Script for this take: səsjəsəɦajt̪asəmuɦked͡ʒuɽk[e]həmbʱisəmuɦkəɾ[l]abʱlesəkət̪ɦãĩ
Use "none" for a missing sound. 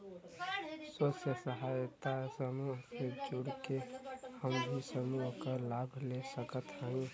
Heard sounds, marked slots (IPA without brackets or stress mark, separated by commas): e, l